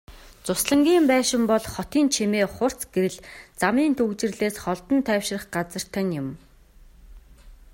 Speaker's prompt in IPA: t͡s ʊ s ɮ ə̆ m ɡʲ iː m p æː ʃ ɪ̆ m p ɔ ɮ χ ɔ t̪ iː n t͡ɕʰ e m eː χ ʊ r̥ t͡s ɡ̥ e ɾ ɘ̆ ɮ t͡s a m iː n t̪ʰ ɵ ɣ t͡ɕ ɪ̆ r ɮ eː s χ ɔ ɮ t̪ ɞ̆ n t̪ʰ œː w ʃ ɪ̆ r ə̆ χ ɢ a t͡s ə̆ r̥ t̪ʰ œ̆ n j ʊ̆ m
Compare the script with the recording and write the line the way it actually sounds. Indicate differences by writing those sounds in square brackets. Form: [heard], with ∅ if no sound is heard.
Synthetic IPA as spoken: t͡s ʊ s ɮ ə̆ [ŋ] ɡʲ iː m p æː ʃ ɪ̆ m p ɔ ɮ χ ɔ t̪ iː n t͡ɕʰ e m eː χ ʊ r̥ t͡s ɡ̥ e ɾ ɘ̆ ɮ t͡s a m iː n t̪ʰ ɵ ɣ t͡ɕ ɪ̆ r ɮ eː s χ ɔ ɮ t̪ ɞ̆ n t̪ʰ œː w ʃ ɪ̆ r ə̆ χ ɢ a t͡s ə̆ r̥ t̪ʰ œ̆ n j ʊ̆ m

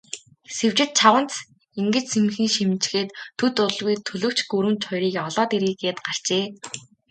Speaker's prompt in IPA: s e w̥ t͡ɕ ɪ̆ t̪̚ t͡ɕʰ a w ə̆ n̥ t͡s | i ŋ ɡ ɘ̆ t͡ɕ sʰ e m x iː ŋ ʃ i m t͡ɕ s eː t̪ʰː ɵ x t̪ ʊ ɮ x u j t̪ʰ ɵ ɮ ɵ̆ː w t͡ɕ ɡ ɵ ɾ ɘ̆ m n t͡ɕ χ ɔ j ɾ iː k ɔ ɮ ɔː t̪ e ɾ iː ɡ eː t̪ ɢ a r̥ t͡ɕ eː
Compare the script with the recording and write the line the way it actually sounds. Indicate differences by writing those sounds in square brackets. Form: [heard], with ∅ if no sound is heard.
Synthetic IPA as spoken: s e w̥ t͡ɕ ɪ̆ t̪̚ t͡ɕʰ a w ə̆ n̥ t͡s | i ŋ ɡ ɘ̆ t͡ɕ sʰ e m x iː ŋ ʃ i m t͡ɕ [x] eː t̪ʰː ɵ [∅] t̪ ʊ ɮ [ɣ] u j t̪ʰ ɵ ɮ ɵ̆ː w t͡ɕ ɡ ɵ ɾ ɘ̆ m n t͡ɕ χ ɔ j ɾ iː k ɔ ɮ ɔː t̪ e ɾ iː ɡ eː t̪ ɢ a r̥ t͡ɕ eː

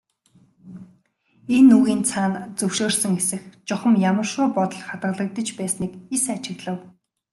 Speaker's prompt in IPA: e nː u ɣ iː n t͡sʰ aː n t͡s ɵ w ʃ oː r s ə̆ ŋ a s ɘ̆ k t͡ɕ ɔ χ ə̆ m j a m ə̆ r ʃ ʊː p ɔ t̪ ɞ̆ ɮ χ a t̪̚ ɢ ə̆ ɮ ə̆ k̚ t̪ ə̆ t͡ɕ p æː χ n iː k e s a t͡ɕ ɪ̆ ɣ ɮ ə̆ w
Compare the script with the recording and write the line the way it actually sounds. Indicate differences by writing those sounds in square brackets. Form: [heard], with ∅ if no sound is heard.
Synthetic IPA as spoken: e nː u ɣ iː n t͡sʰ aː n t͡s ɵ w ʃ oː r s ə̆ ŋ [e] s ɘ̆ [x] t͡ɕ ɔ χ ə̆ m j a m ə̆ r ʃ ʊː p ɔ t̪ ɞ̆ ɮ χ a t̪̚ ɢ ə̆ ɮ ə̆ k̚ t̪ ə̆ t͡ɕ p æː [s] n iː k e s a t͡ɕ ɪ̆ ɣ ɮ ə̆ w

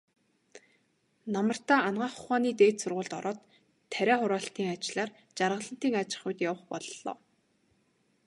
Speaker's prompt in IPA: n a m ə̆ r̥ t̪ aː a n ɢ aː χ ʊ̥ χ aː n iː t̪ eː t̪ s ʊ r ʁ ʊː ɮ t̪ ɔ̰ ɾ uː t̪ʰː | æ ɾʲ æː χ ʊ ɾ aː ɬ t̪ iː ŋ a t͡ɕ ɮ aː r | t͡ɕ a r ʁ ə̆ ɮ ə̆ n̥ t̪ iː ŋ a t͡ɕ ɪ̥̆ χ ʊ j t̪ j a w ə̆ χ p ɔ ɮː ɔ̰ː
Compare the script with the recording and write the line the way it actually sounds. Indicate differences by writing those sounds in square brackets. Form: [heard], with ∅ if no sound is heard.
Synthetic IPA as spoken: n a m ə̆ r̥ t̪ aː a n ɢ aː χ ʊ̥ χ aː n iː t̪ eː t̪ s ʊ r ʁ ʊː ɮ t̪ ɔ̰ ɾ [ɔː] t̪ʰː | æ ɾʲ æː χ ʊ ɾ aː ɬ t̪ iː ŋ a t͡ɕ ɮ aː r | t͡ɕ a r ʁ ə̆ ɮ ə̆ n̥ t̪ iː ŋ a t͡ɕ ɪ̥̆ χ ʊ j t̪ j a w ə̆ χ p ɔ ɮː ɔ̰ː

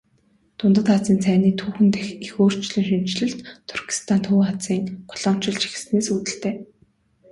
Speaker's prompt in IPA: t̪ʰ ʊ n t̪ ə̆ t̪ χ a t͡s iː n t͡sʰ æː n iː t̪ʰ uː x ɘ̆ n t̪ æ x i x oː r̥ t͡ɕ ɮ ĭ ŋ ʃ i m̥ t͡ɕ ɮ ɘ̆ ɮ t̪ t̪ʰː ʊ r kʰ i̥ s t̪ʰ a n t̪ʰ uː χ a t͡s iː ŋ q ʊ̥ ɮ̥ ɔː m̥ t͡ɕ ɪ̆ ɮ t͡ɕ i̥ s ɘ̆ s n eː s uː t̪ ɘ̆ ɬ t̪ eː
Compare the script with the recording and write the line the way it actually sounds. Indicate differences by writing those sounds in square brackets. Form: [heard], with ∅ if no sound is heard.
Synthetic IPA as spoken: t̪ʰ ʊ n t̪ ə̆ t̪ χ a t͡s iː n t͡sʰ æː n iː t̪ʰ uː x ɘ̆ n t̪ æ x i x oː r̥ t͡ɕ ɮ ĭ ŋ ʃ i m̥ t͡ɕ ɮ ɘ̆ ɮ t̪ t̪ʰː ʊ r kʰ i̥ s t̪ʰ a n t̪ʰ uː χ a t͡s iː ŋ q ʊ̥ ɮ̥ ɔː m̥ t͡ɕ ɪ̆ ɮ t͡ɕ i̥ [x] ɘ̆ s n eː s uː t̪ ɘ̆ ɬ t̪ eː

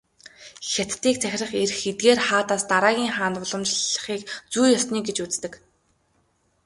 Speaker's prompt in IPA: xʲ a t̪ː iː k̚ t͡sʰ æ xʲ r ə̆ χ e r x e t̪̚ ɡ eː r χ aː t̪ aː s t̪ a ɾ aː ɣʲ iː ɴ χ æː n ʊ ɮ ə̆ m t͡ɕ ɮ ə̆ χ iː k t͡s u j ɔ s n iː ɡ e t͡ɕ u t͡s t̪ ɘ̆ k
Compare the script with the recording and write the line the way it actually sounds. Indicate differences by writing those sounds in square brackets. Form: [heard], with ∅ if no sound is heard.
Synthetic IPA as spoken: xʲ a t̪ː iː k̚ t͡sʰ æ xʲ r ə̆ χ e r x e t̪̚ ɡ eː r χ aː t̪ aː s t̪ a ɾ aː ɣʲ iː [ŋ] χ [aː] n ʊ ɮ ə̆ m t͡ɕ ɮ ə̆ χ iː k t͡s u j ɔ s n iː ɡ e t͡ɕ u t͡s t̪ ɘ̆ k

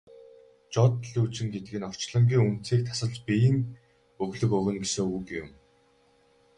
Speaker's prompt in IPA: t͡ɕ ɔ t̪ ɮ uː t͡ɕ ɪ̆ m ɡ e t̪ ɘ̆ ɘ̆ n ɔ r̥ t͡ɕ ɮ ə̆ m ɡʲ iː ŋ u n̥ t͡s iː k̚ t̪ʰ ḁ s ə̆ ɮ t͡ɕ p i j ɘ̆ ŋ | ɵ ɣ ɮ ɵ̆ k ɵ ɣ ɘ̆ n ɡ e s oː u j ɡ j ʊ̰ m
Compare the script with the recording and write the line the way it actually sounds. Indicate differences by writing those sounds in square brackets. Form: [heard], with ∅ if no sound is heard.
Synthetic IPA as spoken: t͡ɕ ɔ t̪ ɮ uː t͡ɕ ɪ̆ [ŋ] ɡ e t̪ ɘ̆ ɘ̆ n ɔ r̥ t͡ɕ ɮ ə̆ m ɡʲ iː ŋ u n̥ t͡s iː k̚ t̪ʰ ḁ s ə̆ ɮ t͡ɕ p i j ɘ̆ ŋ | ɵ ɣ ɮ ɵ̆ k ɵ ɣ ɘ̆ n ɡ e s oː u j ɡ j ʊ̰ m

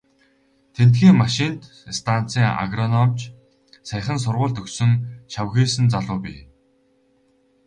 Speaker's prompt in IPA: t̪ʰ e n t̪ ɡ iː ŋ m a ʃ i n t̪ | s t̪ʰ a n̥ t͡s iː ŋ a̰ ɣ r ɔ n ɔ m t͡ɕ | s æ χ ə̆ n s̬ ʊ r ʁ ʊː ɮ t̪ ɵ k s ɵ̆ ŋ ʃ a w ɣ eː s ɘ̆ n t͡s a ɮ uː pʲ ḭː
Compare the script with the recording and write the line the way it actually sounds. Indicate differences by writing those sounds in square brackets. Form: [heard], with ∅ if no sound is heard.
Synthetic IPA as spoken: t̪ʰ e n t̪ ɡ iː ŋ m a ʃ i n t̪ | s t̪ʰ a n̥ t͡s iː ŋ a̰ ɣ r ɔ n ɔ m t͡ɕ | s æ χ ə̆ n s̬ ʊ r ʁ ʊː ɮ t̪ ɵ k s ɵ̆ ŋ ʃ a w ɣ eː s ɘ̆ n t͡s a ɮ [ʊː] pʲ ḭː

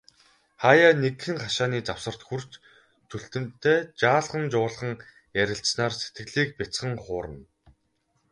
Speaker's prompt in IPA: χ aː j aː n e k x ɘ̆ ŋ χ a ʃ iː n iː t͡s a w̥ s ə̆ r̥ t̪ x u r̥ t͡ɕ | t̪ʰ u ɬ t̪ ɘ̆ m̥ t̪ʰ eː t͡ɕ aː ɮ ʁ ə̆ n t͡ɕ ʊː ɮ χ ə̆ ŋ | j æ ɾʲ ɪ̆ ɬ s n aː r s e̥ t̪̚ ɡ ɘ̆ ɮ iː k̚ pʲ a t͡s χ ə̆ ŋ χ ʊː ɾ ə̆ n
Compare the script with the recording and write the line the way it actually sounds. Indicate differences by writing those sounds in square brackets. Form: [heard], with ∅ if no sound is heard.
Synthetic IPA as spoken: χ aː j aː n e k x ɘ̆ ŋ χ a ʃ [aː] n iː t͡s a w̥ s ə̆ r̥ t̪ x u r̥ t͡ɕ | t̪ʰ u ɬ t̪ ɘ̆ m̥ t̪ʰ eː t͡ɕ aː ɮ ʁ ə̆ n t͡ɕ ʊː ɮ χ ə̆ ŋ | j æ ɾʲ ɪ̆ ɬ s n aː r s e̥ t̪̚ ɡ ɘ̆ ɮ iː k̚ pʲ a t͡s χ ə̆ ŋ χ ʊː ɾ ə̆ n

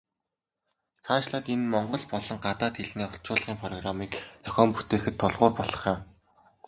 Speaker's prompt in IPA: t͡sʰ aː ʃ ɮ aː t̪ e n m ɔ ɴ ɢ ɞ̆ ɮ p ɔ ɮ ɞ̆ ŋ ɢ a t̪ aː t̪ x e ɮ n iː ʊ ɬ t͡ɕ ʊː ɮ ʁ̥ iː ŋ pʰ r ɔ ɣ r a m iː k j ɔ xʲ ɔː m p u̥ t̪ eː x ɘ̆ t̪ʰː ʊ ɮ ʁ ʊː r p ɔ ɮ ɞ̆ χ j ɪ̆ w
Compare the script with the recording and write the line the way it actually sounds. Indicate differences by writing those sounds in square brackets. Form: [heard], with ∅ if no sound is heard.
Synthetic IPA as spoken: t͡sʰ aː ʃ ɮ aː t̪ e n m ɔ ɴ ɢ ɞ̆ ɮ p ɔ ɮ ɞ̆ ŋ ɢ a t̪ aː t̪ x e ɮ n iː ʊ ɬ t͡ɕ ʊː ɮ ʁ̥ iː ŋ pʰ r ɔ ɣ r a m iː k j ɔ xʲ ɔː m p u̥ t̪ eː x ɘ̆ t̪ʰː ʊ ɮ ʁ ʊː r p ɔ ɮ ɞ̆ χ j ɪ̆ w

